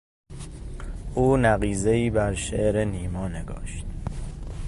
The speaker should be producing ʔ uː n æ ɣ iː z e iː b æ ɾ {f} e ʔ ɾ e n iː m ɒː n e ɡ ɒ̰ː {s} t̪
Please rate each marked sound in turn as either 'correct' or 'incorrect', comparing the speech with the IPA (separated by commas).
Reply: incorrect, incorrect